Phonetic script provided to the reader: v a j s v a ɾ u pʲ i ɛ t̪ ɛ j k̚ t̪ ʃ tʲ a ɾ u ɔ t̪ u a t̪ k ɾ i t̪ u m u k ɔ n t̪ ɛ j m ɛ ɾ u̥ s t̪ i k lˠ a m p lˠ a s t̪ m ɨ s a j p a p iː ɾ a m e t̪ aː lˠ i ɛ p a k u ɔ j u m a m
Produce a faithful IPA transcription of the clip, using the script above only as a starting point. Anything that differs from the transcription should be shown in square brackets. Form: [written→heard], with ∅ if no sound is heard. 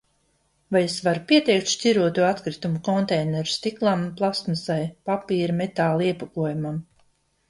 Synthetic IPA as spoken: v a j s v a ɾ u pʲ i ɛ t̪ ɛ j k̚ t̪ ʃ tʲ [a→i] ɾ u ɔ t̪ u a t̪ k ɾ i t̪ u m u k ɔ n t̪ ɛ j [m→n] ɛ ɾ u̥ s t̪ i k lˠ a m p lˠ a s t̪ m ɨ s a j p a p iː ɾ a m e t̪ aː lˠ i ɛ p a k u ɔ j u m a m